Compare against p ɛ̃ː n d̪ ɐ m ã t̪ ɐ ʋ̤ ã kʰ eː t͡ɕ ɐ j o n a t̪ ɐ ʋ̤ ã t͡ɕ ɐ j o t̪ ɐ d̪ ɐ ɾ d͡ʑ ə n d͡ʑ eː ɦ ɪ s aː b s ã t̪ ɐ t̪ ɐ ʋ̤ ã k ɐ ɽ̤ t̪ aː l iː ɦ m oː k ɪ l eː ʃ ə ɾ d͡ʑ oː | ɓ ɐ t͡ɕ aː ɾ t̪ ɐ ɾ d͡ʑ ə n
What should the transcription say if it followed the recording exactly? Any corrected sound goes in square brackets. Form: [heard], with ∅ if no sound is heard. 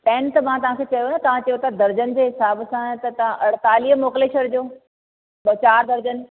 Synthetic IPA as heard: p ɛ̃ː n [t̪] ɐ m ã t̪ ɐ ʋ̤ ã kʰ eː t͡ɕ ɐ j o n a t̪ ɐ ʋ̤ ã t͡ɕ ɐ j o t̪ ɐ d̪ ɐ ɾ d͡ʑ ə n d͡ʑ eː ɦ ɪ s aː b s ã t̪ ɐ t̪ ɐ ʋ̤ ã [ʔ] ɐ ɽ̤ t̪ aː l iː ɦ m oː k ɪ l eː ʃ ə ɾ d͡ʑ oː | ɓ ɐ t͡ɕ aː ɾ [d̪] ɐ ɾ d͡ʑ ə n

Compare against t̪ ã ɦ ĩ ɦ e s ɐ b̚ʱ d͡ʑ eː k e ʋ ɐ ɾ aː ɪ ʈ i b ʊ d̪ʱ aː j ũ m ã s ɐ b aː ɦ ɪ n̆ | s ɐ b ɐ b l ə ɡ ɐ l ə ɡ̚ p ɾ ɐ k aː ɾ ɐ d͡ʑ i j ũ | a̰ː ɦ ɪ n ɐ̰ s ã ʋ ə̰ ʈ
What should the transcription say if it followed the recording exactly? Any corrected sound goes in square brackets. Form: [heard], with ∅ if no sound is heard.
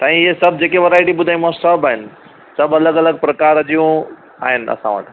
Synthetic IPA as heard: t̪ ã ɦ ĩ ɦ e s ɐ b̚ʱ d͡ʑ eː k e ʋ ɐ ɾ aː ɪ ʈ i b ʊ d̪ʱ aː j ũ m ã s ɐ b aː ɦ ɪ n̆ | s ɐ b ɐ [∅] l ə ɡ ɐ l ə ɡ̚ p ɾ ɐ k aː ɾ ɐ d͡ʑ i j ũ | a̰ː ɦ ɪ n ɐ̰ s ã ʋ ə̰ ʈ

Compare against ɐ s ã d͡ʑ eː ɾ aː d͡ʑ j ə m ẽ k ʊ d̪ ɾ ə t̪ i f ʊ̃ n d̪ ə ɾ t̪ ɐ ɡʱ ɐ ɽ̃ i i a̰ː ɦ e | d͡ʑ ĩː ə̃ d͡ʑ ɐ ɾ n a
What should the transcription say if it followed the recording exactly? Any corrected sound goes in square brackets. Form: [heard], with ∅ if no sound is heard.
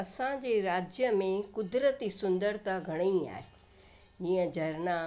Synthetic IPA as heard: ɐ s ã d͡ʑ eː ɾ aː d͡ʑ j ə m ẽ k ʊ d̪ ɾ ə t̪ i [s] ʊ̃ n d̪ ə ɾ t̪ [a] ɡʱ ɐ ɽ̃ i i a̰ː ɦ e | d͡ʑ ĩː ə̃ d͡ʑ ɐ ɾ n a

